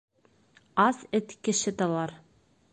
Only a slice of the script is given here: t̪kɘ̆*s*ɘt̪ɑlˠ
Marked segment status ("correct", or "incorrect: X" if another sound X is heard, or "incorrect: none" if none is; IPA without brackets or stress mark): incorrect: ʃ